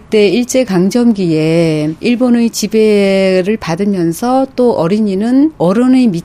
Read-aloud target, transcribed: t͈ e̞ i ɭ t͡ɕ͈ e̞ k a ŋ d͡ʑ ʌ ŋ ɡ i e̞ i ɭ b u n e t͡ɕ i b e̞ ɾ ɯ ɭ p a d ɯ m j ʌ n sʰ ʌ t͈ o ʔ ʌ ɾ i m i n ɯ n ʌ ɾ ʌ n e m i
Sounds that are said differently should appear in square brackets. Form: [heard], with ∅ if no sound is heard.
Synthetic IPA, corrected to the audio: t͈ e̞ i ɭ t͡ɕ͈ e̞ k a ŋ d͡ʑ ʌ [m] ɡ i e̞ i ɭ b [o] n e t͡ɕ i b e̞ ɾ ɯ ɭ p a d ɯ m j ʌ n sʰ ʌ t͈ o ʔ ʌ ɾ i [ɲ] i n ɯ n ʌ ɾ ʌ n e m i